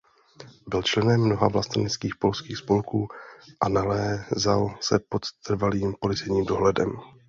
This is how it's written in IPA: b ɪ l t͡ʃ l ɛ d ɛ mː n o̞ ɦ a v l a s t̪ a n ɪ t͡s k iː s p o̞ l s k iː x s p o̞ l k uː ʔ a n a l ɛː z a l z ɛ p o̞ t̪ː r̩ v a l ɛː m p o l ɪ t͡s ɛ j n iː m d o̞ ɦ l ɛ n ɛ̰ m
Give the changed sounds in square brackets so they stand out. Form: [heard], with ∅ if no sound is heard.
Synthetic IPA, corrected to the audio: b ɪ l t͡ʃ l ɛ [n] ɛ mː n o̞ ɦ a v l a s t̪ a n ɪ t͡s k iː [x] p o̞ l s k iː x s p o̞ l k uː ʔ a n a l ɛː z a l [s] ɛ p o̞ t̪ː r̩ v a l [iː] m p o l ɪ t͡s ɛ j [ɲ] iː m d o̞ ɦ l ɛ [d] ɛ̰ m